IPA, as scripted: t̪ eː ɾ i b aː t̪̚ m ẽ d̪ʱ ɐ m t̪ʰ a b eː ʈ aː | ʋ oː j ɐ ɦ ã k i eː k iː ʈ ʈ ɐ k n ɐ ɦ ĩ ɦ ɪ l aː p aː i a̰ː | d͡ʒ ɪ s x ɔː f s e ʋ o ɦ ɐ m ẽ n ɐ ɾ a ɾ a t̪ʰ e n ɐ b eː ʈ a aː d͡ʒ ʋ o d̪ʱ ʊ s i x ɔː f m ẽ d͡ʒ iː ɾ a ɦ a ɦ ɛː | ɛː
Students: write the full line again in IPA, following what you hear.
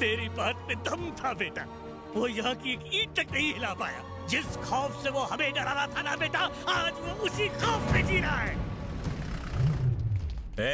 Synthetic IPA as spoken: t̪ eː ɾ i b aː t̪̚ m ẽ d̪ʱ ɐ m t̪ʰ a b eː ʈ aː | ʋ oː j ɐ ɦ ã k i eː k iː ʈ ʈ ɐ k n ɐ ɦ ĩ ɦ ɪ l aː p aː j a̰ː | d͡ʒ ɪ s x ɔː f s e ʋ o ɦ ɐ m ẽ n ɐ ɾ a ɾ a t̪ʰ a n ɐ b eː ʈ a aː d͡ʒ ʋ o ʊ s i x ɔː f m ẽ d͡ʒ iː ɾ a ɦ a ɦ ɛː | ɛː